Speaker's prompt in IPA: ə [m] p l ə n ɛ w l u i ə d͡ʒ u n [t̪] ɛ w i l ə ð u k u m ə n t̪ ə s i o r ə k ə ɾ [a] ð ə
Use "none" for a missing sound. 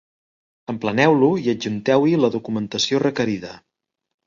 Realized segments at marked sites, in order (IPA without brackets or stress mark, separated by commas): m, t̪, i